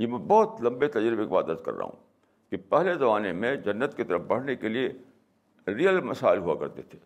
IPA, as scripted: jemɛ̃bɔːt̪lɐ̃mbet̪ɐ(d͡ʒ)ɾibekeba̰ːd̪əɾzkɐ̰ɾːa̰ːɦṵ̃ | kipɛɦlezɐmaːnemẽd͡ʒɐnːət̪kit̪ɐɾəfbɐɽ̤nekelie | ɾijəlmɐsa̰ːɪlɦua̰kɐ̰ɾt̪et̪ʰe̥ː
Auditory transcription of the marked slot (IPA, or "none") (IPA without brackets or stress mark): d͡ʒ